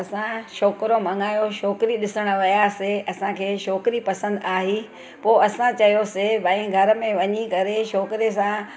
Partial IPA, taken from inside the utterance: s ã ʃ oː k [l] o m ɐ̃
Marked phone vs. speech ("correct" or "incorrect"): incorrect